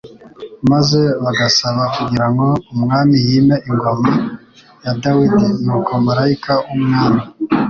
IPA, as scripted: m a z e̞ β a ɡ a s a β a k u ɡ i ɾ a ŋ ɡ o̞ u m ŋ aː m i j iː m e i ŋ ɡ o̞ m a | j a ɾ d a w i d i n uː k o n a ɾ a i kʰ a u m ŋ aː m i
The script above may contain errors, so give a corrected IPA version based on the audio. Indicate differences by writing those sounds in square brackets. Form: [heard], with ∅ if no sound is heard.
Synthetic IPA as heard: m a z e̞ β a ɡ a s a β a k u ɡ i ɾ a ŋ ɡ o̞ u m ŋ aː m i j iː m e i ŋ ɡ o̞ m a | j a [∅] d a w i d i n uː k o [m] a ɾ a i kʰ a u m ŋ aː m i